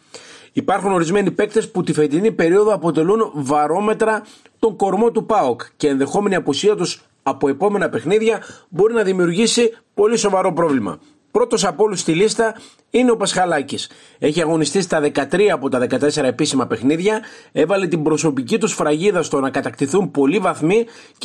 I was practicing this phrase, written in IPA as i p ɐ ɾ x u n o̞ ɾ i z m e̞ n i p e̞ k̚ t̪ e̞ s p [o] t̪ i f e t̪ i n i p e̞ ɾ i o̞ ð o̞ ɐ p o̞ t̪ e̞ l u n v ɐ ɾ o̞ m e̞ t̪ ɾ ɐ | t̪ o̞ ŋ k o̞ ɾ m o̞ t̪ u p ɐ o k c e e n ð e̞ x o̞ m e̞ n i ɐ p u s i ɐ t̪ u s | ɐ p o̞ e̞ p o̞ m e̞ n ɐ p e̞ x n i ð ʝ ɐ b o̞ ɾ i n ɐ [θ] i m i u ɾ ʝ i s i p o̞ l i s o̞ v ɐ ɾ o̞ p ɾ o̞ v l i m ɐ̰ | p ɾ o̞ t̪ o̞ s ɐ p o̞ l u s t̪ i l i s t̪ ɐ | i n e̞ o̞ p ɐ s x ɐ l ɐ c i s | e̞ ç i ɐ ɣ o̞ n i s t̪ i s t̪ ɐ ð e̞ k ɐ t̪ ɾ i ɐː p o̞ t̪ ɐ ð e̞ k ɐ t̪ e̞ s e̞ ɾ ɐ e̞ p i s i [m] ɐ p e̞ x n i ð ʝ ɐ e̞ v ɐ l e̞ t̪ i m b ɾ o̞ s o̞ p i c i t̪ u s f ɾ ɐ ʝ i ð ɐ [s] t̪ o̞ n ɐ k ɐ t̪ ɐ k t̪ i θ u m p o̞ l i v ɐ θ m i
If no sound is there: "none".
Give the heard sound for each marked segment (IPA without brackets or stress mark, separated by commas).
u, ð, m, s